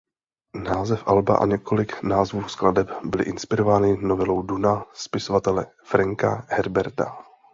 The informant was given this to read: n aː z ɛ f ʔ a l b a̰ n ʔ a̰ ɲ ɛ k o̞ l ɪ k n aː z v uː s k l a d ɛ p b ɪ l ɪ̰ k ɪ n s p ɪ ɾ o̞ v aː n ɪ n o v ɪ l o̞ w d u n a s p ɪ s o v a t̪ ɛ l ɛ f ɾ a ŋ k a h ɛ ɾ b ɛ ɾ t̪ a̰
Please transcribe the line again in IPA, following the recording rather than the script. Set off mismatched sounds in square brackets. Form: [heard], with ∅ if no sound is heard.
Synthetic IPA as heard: n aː z ɛ f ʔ a l b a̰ [∅] ʔ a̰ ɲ ɛ k o̞ l ɪ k n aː z v uː s k l a d ɛ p b ɪ l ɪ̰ [ʔ] ɪ n s p ɪ ɾ o̞ v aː n ɪ n o v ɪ l o̞ w d u n a s p ɪ s o v a t̪ ɛ l ɛ f ɾ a ŋ k a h ɛ ɾ b ɛ ɾ t̪ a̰